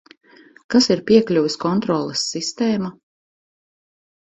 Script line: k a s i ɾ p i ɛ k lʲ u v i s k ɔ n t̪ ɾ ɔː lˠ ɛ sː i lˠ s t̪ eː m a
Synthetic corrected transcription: k a s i ɾ p i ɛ k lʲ u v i s k ɔ n t̪ ɾ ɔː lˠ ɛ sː i s t̪ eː m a